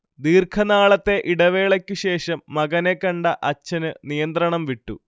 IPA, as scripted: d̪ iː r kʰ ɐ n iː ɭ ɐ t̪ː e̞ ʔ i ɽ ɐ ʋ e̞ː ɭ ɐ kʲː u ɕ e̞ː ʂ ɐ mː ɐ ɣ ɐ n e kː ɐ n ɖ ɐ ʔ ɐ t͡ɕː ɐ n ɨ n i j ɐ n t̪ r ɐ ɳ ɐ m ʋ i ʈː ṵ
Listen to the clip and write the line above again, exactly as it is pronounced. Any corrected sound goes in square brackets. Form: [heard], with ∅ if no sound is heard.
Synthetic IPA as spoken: d̪ iː r kʰ ɐ n [aː] ɭ ɐ t̪ː e̞ ʔ i ɽ ɐ ʋ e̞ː ɭ ɐ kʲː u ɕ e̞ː ʂ ɐ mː ɐ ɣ ɐ n e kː ɐ [ɳ] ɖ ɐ ʔ ɐ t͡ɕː ɐ n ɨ n i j ɐ n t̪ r ɐ ɳ ɐ m ʋ i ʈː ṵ